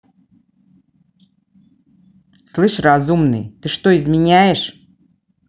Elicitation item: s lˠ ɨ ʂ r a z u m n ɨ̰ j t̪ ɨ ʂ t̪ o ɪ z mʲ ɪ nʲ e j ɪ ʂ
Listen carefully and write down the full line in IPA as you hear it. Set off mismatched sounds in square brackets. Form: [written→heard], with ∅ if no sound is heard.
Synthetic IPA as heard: s lˠ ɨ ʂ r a z u m n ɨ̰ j t̪ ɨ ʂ t̪ o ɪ z mʲ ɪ nʲ [e→æ] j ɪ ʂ